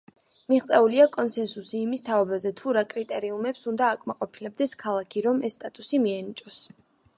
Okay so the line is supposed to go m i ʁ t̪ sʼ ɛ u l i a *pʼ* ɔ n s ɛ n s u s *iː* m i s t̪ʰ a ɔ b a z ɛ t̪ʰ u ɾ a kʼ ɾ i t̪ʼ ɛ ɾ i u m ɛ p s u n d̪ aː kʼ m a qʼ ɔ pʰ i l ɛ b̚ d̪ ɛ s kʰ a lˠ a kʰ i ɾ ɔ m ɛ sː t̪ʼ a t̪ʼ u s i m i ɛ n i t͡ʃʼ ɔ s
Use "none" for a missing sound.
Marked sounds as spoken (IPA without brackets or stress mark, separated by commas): kʼ, iː